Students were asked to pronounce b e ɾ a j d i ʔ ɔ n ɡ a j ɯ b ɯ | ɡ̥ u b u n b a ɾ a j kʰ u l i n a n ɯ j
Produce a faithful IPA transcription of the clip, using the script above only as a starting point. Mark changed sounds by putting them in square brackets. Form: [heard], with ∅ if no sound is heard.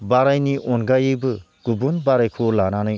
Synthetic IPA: b [a] ɾ a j [n] i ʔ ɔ n ɡ a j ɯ b ɯ | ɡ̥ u b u n b a ɾ a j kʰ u l [a] n a n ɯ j